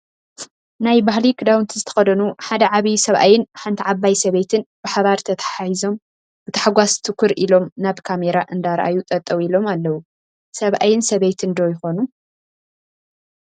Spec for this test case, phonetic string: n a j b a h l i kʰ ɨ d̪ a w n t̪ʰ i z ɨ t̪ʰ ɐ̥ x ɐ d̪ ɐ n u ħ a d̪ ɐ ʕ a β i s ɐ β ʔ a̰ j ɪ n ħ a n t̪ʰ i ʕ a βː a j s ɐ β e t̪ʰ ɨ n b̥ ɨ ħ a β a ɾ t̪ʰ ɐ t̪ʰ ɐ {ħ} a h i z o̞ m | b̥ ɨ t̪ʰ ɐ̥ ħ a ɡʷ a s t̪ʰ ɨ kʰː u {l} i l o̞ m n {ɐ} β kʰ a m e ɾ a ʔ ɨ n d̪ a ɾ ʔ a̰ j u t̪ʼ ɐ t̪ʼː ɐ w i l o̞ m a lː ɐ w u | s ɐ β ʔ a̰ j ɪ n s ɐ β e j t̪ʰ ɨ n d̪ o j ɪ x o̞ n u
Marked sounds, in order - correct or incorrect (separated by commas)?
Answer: correct, incorrect, incorrect